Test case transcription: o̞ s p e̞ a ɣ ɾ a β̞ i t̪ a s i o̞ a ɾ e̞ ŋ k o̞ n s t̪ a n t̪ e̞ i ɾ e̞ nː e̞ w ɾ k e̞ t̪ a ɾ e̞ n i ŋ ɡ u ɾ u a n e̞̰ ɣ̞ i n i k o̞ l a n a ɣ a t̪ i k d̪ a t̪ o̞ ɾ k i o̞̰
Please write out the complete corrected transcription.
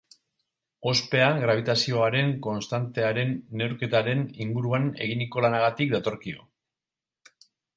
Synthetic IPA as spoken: o̞ s p e̞ a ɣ ɾ a β̞ i t̪ a s i o̞ a ɾ e̞ ŋ k o̞ n s t̪ a n t̪ e̞ a ɾ e̞ nː e̞ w ɾ k e̞ t̪ a ɾ e̞ n i ŋ ɡ u ɾ u a n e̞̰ ɣ̞ i n i k o̞ l a n a ɣ a t̪ i k d̪ a t̪ o̞ ɾ k i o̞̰